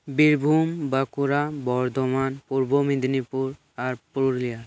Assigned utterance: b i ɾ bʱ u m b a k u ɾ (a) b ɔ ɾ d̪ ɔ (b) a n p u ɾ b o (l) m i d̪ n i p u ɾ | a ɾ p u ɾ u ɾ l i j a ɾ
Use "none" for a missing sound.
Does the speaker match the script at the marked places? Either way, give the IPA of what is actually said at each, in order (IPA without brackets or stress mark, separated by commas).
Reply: a, m, none